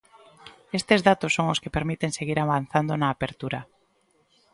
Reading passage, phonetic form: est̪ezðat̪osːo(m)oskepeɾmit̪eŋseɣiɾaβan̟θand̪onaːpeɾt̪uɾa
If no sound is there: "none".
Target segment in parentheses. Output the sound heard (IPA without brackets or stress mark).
ŋ